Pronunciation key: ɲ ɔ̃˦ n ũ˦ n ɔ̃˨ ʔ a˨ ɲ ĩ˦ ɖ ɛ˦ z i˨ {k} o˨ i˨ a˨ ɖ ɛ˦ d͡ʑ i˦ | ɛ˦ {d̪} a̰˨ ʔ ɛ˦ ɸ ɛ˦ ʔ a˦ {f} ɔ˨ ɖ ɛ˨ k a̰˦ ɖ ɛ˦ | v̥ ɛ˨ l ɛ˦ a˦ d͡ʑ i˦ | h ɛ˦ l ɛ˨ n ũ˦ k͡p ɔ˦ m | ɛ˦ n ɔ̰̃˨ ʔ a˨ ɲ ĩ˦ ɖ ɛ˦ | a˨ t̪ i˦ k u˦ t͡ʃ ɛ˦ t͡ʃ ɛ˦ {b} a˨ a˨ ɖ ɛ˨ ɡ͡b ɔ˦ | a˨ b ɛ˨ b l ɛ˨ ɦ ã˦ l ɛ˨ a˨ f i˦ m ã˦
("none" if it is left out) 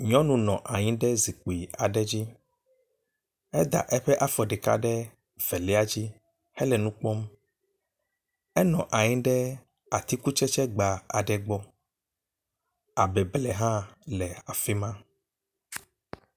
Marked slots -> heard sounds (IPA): k͡p, d̪, f, ɡ͡b

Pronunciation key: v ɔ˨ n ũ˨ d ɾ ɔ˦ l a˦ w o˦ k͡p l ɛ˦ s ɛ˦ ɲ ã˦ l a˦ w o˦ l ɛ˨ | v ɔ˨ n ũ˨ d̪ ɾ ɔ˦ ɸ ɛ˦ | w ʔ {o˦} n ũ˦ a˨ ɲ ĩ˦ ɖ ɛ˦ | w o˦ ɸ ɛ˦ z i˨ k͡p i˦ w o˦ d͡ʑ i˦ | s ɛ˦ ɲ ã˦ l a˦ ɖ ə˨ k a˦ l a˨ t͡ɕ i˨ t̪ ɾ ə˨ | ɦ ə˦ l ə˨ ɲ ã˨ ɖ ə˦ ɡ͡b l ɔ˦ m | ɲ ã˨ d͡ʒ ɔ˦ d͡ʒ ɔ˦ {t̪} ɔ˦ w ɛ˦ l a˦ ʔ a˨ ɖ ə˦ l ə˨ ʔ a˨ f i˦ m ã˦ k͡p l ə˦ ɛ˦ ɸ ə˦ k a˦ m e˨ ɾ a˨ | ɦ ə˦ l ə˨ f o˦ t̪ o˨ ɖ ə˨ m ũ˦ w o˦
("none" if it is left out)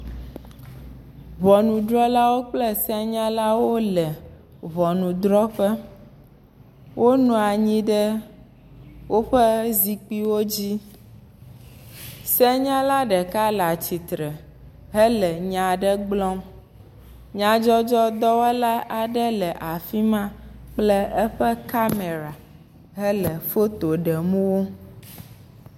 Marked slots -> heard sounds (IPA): o˦, d̪

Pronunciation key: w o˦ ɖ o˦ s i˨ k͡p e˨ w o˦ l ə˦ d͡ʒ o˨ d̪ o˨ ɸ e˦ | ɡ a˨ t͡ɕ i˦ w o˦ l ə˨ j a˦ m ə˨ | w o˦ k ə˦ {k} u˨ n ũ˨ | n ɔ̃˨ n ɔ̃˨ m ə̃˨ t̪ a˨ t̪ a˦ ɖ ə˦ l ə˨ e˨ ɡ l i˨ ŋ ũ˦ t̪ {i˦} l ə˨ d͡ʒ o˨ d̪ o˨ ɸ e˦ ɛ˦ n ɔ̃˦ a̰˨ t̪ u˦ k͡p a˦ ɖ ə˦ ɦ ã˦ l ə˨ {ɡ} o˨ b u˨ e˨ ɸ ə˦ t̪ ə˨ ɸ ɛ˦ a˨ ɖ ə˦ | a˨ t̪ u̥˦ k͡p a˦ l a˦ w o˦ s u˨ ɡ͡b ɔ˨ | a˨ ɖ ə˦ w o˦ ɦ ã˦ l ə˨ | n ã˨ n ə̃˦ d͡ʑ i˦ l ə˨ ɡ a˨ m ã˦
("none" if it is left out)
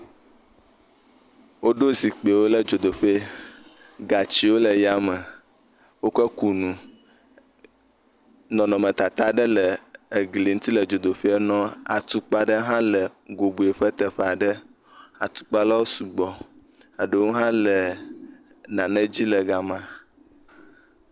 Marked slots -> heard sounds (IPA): k, i˦, ɡ

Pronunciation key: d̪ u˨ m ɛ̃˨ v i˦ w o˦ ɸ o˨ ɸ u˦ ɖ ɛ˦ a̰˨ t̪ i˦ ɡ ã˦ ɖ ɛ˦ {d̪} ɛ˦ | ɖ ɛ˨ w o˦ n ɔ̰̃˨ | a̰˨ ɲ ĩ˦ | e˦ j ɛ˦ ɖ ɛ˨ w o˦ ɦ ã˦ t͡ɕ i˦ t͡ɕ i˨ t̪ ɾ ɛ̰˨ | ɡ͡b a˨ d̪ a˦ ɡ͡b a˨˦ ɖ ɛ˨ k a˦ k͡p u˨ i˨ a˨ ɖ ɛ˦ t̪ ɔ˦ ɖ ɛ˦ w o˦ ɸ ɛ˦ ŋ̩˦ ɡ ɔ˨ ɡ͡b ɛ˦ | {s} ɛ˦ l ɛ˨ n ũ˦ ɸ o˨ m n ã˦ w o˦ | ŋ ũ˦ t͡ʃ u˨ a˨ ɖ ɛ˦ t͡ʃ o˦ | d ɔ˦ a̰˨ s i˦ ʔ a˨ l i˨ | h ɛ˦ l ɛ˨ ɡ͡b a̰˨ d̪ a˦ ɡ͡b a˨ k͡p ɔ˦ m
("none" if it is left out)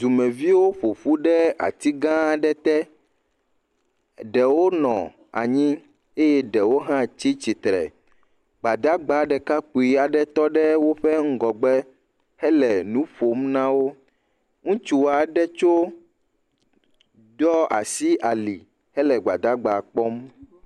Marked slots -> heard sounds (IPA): t̪, h

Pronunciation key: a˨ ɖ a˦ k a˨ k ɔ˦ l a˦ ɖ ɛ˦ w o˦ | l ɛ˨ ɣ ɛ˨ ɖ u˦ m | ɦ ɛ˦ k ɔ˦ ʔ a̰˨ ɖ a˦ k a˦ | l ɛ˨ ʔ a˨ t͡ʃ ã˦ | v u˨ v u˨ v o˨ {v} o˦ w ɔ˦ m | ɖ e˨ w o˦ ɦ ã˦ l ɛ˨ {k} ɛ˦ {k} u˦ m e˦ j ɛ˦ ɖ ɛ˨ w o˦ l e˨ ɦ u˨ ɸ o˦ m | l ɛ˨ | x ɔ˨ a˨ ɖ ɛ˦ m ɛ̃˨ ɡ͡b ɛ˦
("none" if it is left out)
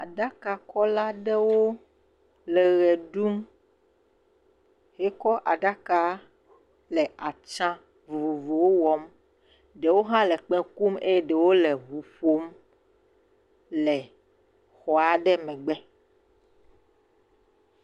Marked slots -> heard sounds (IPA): w, k͡p, k

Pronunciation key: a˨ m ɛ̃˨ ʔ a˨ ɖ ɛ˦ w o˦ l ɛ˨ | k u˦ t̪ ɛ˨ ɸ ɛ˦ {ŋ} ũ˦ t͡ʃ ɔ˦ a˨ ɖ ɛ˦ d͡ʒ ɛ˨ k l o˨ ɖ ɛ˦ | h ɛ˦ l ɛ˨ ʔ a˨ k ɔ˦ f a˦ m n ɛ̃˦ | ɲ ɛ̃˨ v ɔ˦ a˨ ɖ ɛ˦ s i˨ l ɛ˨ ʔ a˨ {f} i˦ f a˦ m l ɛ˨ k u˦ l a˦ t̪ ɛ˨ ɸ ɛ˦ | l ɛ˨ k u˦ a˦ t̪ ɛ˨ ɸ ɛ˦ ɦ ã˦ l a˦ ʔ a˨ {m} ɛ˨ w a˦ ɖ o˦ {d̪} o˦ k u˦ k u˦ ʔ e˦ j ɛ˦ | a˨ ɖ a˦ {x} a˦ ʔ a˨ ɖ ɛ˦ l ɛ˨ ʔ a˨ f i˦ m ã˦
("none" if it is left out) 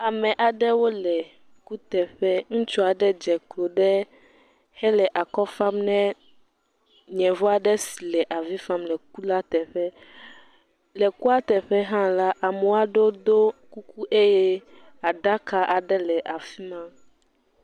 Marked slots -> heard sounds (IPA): ŋ, v, m, d̪, k

